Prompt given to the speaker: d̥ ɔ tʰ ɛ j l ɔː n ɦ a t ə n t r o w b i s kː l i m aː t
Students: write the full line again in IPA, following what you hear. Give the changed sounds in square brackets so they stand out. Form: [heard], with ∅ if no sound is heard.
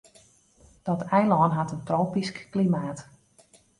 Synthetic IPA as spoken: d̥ ɔ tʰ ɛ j l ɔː n ɦ a t ə n t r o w [p] i s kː l i m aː t